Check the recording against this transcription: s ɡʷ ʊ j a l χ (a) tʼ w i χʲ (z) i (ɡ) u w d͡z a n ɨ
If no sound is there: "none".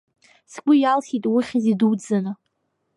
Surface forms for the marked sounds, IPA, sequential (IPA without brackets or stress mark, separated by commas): i, z, d